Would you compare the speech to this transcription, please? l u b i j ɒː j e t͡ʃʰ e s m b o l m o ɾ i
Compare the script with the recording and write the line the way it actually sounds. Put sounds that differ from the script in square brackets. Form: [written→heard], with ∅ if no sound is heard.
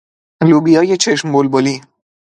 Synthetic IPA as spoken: l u b i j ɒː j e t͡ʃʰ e [s→ʃ] m b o l [m→b] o [ɾ→l] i